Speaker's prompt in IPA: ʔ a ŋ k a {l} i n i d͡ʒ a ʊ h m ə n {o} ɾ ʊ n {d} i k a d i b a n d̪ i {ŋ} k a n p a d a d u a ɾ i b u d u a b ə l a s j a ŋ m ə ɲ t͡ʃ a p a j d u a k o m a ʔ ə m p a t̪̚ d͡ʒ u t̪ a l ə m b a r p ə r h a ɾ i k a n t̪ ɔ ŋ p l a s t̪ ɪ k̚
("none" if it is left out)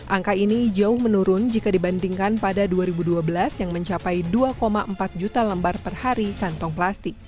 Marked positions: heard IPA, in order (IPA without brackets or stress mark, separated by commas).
none, u, d͡ʒ, ŋ